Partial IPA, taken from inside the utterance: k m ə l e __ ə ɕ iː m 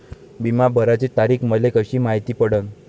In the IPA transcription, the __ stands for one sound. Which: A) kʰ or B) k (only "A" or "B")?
B